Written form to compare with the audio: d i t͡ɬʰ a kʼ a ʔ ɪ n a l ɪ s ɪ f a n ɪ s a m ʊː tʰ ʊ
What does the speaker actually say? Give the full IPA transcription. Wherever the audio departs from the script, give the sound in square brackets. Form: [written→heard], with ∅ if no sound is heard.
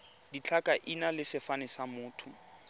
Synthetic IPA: d i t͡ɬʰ a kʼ a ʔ [ɪ→i] n a l ɪ s ɪ f a n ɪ s a m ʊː tʰ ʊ